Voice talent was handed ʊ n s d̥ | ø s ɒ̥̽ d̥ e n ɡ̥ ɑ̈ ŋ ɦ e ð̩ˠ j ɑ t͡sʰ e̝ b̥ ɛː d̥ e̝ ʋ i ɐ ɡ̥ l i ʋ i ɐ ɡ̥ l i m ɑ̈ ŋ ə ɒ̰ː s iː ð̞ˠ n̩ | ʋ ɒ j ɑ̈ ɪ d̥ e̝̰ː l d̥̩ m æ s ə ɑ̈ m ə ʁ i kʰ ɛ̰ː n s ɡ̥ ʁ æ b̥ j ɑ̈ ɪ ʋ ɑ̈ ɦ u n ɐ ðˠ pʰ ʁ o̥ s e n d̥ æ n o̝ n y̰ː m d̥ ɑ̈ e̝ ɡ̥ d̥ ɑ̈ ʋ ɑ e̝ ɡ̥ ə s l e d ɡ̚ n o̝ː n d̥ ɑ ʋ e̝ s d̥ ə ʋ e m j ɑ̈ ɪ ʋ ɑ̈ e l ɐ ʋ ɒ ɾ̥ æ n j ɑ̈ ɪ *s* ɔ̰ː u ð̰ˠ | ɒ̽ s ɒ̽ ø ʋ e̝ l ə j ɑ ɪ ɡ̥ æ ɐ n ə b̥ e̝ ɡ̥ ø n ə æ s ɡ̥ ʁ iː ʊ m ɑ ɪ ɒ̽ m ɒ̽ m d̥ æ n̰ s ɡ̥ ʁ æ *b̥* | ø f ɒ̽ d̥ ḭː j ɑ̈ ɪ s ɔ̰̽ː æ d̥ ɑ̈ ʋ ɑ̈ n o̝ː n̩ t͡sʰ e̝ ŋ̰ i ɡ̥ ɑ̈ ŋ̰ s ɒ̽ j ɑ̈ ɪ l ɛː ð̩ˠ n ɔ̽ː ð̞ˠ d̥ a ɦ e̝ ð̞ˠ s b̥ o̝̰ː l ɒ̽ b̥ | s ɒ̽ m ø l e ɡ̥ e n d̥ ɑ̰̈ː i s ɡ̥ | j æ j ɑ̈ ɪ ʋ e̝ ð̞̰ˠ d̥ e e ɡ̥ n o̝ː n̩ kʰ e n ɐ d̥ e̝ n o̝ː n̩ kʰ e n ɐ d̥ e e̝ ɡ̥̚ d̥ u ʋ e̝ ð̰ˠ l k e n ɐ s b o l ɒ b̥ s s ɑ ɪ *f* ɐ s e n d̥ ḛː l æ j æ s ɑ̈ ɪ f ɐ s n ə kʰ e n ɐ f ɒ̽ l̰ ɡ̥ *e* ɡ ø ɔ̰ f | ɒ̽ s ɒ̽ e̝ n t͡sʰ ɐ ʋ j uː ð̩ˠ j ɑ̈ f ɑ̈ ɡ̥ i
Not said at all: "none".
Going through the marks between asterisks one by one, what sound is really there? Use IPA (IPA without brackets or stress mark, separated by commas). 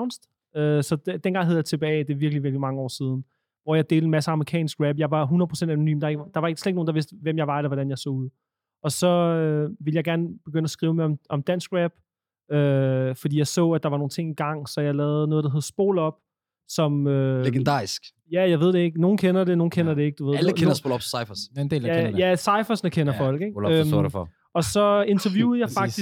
s, b̥, f, e